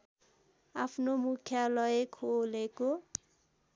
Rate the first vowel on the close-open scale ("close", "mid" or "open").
open